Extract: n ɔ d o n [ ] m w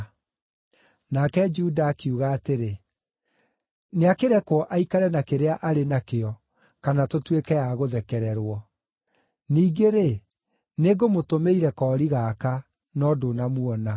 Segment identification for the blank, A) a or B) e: A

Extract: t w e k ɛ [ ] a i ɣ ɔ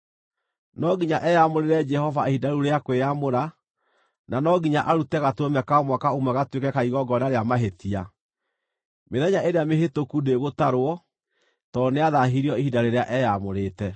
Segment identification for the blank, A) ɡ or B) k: B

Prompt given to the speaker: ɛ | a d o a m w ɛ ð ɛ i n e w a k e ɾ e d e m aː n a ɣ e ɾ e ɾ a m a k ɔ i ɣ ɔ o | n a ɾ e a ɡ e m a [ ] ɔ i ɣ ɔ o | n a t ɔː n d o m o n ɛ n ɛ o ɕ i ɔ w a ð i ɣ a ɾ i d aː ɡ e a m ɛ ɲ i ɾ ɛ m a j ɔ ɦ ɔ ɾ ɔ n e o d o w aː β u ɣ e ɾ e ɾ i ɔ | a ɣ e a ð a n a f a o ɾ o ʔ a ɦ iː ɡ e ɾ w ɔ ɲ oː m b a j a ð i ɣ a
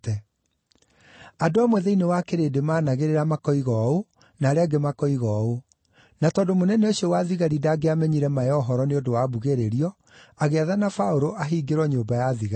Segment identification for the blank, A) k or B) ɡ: A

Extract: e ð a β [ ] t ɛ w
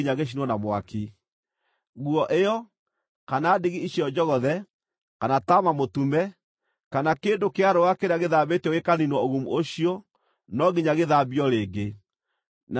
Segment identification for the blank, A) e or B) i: A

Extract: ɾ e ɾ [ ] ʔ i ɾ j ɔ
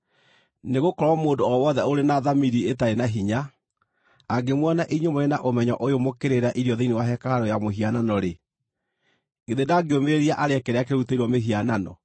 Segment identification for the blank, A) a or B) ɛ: A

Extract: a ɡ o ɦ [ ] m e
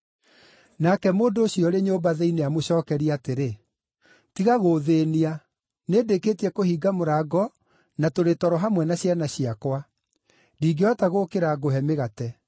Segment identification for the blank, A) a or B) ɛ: B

